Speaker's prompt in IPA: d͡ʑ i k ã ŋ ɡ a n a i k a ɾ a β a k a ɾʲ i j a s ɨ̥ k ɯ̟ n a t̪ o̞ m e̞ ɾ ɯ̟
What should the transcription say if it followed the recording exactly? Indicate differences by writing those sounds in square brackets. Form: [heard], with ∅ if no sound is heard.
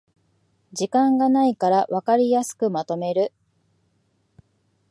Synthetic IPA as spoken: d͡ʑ i k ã ŋ ɡ a n a i k a ɾ a β a k a ɾʲ i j a s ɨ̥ k ɯ̟ [m] a t̪ o̞ m e̞ ɾ ɯ̟